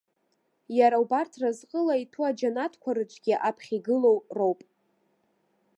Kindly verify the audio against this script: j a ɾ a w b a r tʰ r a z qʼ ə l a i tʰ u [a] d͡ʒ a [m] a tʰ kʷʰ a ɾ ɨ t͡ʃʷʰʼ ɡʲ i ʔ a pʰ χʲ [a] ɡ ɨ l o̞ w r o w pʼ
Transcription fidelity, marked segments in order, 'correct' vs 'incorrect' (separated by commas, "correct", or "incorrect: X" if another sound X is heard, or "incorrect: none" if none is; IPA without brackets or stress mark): correct, incorrect: n, incorrect: i